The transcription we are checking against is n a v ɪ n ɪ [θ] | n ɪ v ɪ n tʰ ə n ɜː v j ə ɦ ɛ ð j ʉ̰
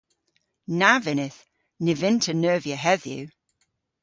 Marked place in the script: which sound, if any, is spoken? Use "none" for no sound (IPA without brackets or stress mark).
θ